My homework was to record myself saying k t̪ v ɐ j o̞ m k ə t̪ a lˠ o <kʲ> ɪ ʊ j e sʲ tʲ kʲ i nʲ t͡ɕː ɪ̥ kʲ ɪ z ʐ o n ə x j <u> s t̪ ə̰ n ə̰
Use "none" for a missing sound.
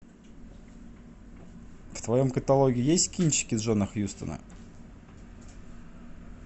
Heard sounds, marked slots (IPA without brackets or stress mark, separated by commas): ɡʲ, u